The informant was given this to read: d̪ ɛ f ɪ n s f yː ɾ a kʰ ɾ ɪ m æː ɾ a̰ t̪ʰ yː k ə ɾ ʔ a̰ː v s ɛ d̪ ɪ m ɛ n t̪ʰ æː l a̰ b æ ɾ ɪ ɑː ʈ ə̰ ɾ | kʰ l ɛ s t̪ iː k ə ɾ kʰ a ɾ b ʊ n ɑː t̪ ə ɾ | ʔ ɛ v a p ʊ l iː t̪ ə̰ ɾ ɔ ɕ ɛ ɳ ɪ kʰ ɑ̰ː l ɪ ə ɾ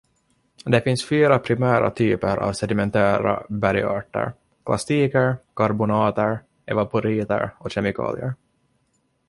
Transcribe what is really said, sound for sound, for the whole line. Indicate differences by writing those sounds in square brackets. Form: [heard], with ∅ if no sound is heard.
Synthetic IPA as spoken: d̪ ɛ f ɪ n s f yː ɾ a [pʰ] ɾ ɪ m æː ɾ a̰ t̪ʰ yː [p] ə ɾ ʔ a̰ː v s ɛ d̪ ɪ m ɛ n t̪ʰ æː [ɾ] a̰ b æ ɾ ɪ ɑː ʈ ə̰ ɾ | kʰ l [a] s t̪ iː k ə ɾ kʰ a ɾ b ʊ n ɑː t̪ ə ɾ | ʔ ɛ v a p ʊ [ɾ] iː t̪ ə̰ ɾ ɔ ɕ ɛ [m] ɪ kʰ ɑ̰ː l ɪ ə ɾ

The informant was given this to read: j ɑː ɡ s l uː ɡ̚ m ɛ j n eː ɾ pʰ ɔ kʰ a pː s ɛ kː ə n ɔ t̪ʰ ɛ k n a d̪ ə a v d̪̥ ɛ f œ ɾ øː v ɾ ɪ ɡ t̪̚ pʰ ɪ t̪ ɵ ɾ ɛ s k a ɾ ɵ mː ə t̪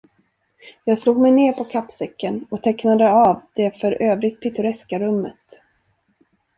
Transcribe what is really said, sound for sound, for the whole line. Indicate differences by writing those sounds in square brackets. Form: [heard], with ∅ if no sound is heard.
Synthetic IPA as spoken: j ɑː ɡ s l uː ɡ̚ m ɛ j n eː ɾ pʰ ɔ kʰ a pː s ɛ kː ə n ɔ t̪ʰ ɛ k n a d̪ ə a v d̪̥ ɛ f œ ɾ øː v ɾ ɪ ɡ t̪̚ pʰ ɪ t̪ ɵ ɾ ɛ s k a ɾ ɵ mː ə t̪

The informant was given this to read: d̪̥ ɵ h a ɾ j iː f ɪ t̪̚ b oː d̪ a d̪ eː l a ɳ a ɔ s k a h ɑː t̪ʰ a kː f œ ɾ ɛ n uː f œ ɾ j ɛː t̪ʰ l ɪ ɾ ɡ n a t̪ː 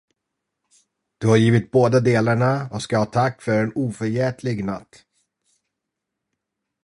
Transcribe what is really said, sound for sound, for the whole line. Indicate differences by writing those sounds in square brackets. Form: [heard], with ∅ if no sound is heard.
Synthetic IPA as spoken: d̪̥ ɵ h a ɾ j iː [v] ɪ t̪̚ b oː d̪ a d̪ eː l a ɳ a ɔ s k a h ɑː t̪ʰ a kː f œ ɾ ɛ n uː f œ ɾ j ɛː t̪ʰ l ɪ [∅] ɡ n a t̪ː

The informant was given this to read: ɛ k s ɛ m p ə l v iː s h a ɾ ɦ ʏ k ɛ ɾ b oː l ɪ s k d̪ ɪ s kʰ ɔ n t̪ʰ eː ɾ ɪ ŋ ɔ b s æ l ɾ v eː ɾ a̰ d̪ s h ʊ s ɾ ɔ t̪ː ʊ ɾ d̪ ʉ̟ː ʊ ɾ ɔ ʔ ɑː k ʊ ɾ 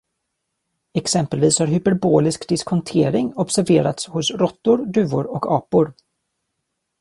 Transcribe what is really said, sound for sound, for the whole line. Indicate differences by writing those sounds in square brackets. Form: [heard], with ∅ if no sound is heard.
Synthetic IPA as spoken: ɛ k s ɛ m p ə l v iː s h a ɾ ɦ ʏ [p] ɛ ɾ b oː l ɪ s k d̪ ɪ s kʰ ɔ n t̪ʰ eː ɾ ɪ ŋ ɔ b s æ [∅] ɾ v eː ɾ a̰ [t̪] s h ʊ s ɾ ɔ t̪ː ʊ ɾ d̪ ʉ̟ː ʊ ɾ ɔ [k] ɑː [p] ʊ ɾ

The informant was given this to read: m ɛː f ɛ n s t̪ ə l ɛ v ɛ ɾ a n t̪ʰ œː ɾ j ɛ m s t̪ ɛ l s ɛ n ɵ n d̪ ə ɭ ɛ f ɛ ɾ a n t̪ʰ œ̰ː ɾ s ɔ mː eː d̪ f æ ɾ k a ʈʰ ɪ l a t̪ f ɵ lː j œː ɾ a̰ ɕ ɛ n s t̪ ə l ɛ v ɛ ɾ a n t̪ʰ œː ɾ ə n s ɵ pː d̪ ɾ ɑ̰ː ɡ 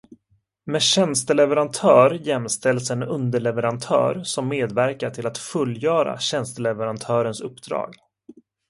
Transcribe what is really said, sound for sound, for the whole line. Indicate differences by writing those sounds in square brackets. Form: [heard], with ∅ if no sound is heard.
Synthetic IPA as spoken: m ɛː [ɕ] ɛ n s t̪ ə l ɛ v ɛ ɾ a n t̪ʰ œː ɾ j ɛ m s t̪ ɛ l s ɛ n ɵ n d̪ ə ɭ ɛ [v] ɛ ɾ a n t̪ʰ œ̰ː ɾ s ɔ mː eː d̪ [v] æ ɾ k a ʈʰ ɪ l a t̪ f ɵ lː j œː ɾ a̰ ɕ ɛ n s t̪ ə l ɛ v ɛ ɾ a n t̪ʰ œː ɾ ə n s ɵ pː d̪ ɾ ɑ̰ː ɡ

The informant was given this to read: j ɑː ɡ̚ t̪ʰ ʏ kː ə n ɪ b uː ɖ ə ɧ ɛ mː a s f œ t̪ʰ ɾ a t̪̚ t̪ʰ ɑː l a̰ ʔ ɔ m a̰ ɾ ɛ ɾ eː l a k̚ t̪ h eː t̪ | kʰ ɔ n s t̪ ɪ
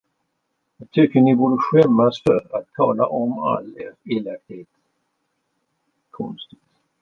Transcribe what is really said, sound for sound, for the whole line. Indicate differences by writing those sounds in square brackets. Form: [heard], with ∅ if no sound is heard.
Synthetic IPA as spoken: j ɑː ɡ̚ t̪ʰ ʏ kː ə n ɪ b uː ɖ ə ɧ ɛ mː a s f œ [∅] ɾ a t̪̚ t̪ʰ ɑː l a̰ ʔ ɔ m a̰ [l] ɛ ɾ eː l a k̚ t̪ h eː t̪ | kʰ ɔ n s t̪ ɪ

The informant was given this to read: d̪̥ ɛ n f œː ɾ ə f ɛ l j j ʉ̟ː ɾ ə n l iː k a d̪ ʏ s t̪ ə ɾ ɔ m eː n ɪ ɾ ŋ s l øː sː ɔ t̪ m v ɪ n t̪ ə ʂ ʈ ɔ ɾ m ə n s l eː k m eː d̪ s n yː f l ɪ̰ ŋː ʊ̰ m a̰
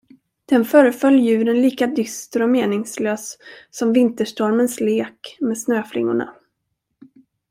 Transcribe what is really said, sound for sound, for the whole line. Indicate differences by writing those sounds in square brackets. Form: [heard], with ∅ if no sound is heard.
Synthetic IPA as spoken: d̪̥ ɛ n f œː ɾ ə f [œ] l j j ʉ̟ː ɾ ə n l iː k a d̪ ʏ s t̪ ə ɾ ɔ m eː n ɪ [∅] ŋ s l øː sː ɔ [∅] m v ɪ n t̪ ə ʂ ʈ ɔ ɾ m ə n s l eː k m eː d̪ s n [øː] f l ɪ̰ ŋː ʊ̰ [ɳ] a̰

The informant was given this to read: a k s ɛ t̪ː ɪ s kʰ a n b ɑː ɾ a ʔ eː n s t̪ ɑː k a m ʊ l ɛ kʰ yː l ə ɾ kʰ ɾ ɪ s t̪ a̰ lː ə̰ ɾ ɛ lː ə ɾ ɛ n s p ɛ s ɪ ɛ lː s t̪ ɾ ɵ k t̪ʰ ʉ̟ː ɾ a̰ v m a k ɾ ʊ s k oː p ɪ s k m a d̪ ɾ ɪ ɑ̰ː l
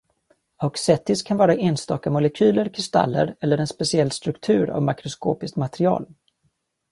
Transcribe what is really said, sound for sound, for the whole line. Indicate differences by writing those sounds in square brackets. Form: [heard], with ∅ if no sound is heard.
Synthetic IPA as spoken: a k s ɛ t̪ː ɪ s kʰ a n [v] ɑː ɾ a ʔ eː n s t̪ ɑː k a m ʊ l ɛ kʰ yː l ə ɾ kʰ ɾ ɪ s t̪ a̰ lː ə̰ ɾ ɛ lː ə ɾ ɛ n s p ɛ s ɪ ɛ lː s t̪ ɾ ɵ k t̪ʰ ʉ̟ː ɾ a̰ v m a k ɾ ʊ s k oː p ɪ s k m a [t̪] ɾ ɪ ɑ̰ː l

